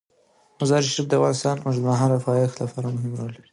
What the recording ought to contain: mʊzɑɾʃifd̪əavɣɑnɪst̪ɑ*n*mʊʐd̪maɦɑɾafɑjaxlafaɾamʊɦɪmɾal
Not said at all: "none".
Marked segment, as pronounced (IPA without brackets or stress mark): n